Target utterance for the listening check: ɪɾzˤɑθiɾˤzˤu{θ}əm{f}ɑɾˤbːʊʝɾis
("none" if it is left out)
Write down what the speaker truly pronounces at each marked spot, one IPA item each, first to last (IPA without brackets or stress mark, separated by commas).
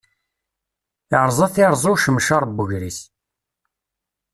ʃ, ʃ